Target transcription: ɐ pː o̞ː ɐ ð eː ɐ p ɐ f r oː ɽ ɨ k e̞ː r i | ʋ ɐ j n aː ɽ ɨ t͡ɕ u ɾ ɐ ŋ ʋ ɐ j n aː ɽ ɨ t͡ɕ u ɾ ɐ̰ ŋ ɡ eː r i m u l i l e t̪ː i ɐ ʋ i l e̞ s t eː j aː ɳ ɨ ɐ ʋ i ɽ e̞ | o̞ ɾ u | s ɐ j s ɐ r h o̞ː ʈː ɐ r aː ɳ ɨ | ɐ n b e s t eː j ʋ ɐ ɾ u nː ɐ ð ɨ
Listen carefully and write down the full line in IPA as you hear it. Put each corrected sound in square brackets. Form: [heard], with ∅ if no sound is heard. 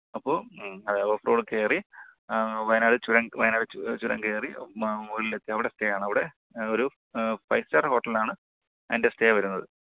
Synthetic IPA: ɐ pː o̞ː ɐ ð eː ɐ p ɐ f r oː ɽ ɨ k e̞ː r i | ʋ ɐ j n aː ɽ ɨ t͡ɕ u ɾ ɐ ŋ ʋ ɐ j n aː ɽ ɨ t͡ɕ u ɾ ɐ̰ ŋ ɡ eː r i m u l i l e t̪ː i ɐ ʋ i [ɽ] e̞ s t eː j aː ɳ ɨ ɐ ʋ i ɽ e̞ | o̞ ɾ u | [f] ɐ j s ɐ r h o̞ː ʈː ɐ [l] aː ɳ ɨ | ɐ n [d] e s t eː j ʋ ɐ ɾ u nː ɐ ð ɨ